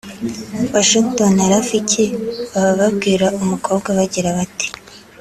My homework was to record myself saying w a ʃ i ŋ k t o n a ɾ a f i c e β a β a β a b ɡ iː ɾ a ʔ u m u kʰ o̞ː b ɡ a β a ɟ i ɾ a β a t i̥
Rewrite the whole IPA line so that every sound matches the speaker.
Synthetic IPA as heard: w a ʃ i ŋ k t o n a ɾ a f i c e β a β a β a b ɡ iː ɾ a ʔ u m u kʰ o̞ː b ɡ a β a ɟ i ɾ a β a t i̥